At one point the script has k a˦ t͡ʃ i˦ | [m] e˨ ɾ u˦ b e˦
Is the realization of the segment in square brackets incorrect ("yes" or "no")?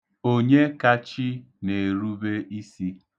yes